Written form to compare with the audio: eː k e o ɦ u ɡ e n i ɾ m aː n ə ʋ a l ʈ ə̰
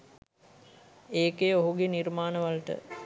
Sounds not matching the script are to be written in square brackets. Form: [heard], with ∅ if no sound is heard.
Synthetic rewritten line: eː k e o ɦ u ɡ e n i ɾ m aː n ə ʋ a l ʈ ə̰